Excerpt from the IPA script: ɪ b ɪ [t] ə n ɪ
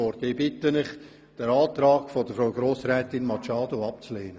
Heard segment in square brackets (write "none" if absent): t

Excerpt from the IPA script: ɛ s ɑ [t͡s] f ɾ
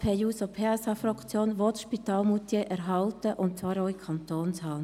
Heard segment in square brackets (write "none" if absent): none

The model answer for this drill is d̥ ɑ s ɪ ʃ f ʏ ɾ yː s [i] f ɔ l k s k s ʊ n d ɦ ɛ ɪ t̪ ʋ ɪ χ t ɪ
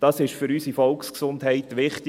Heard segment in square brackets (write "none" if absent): i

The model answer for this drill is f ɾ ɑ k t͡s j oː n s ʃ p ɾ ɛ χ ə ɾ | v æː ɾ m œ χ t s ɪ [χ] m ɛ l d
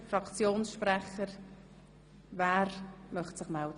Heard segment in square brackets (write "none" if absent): χ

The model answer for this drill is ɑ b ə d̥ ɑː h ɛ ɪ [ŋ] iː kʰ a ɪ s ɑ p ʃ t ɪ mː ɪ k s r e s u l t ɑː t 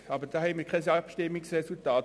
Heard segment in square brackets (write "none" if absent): m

